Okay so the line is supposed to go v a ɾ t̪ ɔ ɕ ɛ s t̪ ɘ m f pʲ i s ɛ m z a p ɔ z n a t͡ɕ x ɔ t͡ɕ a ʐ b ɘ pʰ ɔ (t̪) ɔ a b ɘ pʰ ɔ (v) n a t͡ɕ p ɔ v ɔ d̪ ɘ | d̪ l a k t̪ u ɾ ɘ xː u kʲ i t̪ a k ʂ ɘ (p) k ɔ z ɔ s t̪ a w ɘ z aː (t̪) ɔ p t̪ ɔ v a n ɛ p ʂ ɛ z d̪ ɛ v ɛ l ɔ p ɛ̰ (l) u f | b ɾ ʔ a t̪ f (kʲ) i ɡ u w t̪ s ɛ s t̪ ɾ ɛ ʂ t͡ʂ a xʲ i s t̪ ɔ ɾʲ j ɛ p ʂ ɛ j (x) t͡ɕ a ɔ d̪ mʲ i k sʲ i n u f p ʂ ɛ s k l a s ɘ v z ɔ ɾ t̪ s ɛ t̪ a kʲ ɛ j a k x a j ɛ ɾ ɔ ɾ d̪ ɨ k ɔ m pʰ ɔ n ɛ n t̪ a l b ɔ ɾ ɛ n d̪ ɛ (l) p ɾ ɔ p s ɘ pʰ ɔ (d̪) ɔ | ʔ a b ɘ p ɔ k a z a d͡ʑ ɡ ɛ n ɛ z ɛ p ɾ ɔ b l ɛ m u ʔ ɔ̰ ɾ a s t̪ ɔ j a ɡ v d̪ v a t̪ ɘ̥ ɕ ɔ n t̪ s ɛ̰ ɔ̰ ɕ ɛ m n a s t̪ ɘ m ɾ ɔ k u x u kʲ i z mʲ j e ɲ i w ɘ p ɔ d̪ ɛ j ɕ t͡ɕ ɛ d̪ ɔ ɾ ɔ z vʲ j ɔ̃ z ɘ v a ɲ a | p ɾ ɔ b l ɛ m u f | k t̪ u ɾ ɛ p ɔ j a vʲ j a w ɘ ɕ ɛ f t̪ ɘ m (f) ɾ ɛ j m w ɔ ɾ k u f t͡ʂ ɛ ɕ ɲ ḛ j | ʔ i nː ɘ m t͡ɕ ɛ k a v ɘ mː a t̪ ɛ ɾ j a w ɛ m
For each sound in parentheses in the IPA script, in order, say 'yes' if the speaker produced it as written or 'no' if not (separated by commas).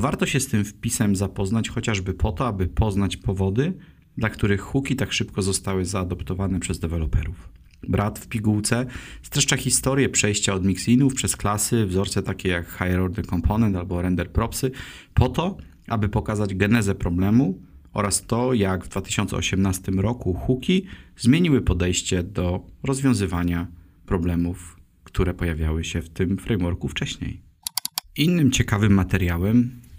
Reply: yes, no, yes, no, no, no, no, no, no, yes